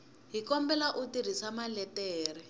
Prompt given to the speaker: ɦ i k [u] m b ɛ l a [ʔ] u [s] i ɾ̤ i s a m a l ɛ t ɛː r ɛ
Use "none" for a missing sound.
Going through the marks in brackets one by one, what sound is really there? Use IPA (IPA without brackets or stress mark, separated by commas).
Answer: ɔ, ʔ, t